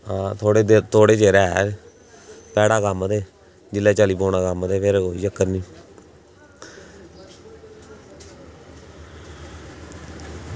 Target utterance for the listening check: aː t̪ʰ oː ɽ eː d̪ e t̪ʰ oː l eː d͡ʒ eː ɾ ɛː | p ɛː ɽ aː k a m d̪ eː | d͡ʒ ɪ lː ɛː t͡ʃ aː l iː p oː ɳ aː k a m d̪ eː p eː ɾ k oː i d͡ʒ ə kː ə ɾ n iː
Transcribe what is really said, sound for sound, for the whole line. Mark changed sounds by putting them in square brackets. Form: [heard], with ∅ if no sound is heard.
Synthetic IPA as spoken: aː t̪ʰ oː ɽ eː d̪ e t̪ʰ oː [ɽ] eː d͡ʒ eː ɾ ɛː | p ɛː ɽ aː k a m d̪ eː | d͡ʒ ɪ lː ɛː t͡ʃ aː l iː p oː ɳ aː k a m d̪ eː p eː ɾ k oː i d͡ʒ ə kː ə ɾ n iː

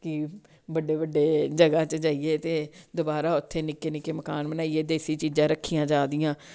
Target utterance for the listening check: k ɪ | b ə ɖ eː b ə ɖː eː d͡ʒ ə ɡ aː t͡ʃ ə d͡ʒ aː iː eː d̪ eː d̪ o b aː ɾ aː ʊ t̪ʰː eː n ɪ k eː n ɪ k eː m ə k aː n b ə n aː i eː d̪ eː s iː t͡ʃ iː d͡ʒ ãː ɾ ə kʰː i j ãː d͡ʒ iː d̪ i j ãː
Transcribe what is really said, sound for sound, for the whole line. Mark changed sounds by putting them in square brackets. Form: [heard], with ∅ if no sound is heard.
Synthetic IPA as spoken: k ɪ | b ə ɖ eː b ə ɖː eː d͡ʒ ə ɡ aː t͡ʃ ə d͡ʒ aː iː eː [t̪] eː d̪ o b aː ɾ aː ʊ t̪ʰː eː n ɪ k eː n ɪ k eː m ə k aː n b ə n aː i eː d̪ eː s iː t͡ʃ iː d͡ʒ ãː ɾ ə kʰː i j ãː d͡ʒ [aː] d̪ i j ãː

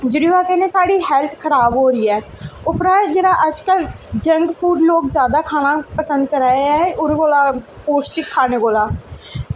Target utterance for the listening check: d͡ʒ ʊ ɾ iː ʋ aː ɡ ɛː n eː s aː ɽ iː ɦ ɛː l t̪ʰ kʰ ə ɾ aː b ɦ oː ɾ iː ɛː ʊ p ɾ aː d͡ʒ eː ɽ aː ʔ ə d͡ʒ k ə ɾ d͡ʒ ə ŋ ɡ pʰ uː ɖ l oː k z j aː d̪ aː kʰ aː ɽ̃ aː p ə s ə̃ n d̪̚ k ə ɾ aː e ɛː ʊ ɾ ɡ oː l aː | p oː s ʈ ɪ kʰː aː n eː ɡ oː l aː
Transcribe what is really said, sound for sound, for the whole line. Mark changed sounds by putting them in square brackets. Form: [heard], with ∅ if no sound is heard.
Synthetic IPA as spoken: d͡ʒ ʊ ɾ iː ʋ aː [k] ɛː n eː s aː ɽ iː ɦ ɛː l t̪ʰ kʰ ə ɾ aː b ɦ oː ɾ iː ɛː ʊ p ɾ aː d͡ʒ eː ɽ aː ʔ ə d͡ʒ k ə [l] d͡ʒ ə ŋ ɡ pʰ uː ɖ l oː k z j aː d̪ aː kʰ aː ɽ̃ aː p ə s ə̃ n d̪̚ k ə ɾ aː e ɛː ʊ ɾ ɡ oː l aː | p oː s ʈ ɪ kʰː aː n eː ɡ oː l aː

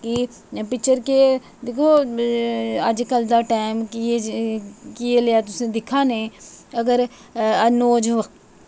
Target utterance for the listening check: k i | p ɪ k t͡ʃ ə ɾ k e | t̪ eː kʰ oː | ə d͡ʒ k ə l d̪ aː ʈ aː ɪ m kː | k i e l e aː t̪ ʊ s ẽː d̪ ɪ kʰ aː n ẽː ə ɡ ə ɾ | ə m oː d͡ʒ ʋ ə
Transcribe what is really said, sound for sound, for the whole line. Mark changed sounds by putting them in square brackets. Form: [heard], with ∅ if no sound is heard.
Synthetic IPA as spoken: k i | p ɪ k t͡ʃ ə ɾ k e | [d̪] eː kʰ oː | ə d͡ʒ k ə l d̪ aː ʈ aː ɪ m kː | k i e l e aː t̪ ʊ s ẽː d̪ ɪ kʰ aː n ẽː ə ɡ ə ɾ | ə [n] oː d͡ʒ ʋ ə

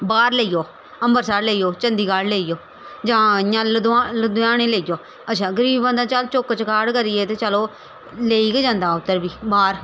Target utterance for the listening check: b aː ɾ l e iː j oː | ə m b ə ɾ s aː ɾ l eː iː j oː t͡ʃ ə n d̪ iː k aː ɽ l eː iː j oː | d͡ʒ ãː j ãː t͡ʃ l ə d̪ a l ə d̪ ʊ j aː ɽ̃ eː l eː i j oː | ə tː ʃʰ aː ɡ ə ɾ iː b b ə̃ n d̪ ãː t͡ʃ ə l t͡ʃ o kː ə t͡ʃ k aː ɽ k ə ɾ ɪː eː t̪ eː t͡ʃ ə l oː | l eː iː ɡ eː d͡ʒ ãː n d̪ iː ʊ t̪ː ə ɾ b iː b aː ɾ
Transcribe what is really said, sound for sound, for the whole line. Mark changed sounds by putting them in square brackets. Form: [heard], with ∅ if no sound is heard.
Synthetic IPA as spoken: b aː ɾ l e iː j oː | ə m b ə ɾ s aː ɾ l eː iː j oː t͡ʃ ə n d̪ iː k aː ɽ l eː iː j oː | d͡ʒ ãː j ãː [∅] l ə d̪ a l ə d̪ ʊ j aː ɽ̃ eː l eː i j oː | ə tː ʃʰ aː ɡ ə ɾ iː b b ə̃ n d̪ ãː t͡ʃ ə l t͡ʃ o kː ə t͡ʃ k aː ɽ k ə ɾ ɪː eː t̪ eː t͡ʃ ə l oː | l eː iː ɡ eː d͡ʒ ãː n d̪ [aː] ʊ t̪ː ə ɾ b iː b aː ɾ

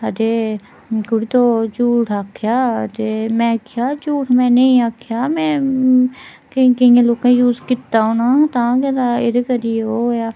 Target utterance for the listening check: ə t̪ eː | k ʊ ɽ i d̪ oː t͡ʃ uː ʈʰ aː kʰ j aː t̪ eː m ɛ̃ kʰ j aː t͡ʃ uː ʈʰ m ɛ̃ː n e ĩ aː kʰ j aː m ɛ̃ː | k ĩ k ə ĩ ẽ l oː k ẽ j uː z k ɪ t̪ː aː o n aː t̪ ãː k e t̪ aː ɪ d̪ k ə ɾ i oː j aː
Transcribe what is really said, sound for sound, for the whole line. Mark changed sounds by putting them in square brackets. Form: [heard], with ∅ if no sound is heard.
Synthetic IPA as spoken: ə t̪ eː | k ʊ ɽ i [t̪] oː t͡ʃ uː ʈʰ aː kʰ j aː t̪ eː m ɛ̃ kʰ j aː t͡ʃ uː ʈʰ m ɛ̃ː n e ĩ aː kʰ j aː m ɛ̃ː | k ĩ k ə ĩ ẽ l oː k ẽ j uː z k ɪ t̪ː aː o n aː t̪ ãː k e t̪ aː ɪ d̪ k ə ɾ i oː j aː

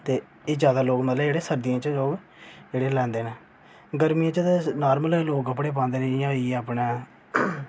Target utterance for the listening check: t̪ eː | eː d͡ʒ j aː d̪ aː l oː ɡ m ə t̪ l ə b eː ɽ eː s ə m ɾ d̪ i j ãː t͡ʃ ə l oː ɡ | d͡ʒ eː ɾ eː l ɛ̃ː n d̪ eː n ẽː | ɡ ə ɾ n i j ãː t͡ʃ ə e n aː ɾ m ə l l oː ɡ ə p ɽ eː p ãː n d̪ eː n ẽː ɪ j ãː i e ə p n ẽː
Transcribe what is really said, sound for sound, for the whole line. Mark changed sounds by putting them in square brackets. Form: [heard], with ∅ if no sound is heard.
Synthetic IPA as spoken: t̪ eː | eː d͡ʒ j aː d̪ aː l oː ɡ m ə t̪ l ə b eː ɽ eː s ə [∅] ɾ d̪ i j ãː t͡ʃ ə l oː ɡ | d͡ʒ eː [ɽ] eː l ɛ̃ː n d̪ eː n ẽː | ɡ ə ɾ [m] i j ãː t͡ʃ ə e n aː ɾ m ə l l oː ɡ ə p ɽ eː p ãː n d̪ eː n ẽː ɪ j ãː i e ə p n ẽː

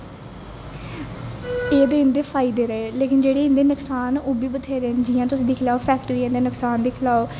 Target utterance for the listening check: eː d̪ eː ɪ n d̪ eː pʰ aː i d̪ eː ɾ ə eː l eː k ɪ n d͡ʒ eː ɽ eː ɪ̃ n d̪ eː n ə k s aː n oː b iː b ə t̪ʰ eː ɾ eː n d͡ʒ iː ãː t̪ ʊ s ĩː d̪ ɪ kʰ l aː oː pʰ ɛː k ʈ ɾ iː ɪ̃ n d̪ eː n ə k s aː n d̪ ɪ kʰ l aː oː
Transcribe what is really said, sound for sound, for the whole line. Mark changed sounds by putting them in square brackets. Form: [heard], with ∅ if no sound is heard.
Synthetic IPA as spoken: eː d̪ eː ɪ n d̪ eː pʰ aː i d̪ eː ɾ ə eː l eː k ɪ n d͡ʒ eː ɽ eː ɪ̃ n d̪ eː n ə k s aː n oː b iː b ə t̪ʰ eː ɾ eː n d͡ʒ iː ãː t̪ ʊ s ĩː d̪ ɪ kʰ l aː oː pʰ ɛː k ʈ ɾ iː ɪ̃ n d̪ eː n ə k s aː n d̪ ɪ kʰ l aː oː

